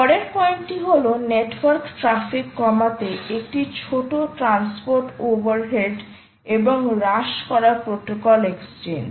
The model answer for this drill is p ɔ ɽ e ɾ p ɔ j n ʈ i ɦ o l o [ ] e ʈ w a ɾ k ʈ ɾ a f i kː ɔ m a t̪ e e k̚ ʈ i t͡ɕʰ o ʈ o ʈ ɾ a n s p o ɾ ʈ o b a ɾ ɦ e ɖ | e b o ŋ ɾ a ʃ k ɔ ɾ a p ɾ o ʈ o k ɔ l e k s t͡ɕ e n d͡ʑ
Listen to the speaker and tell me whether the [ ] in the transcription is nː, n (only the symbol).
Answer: n